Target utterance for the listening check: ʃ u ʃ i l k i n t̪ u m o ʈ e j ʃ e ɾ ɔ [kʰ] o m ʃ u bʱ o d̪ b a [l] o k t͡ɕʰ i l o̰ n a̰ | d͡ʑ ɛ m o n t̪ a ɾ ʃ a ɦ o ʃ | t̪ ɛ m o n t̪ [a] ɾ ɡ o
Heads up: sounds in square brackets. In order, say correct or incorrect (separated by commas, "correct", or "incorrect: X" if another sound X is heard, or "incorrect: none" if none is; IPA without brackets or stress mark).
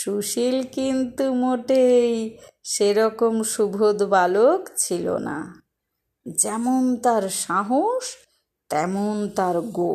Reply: incorrect: k, correct, correct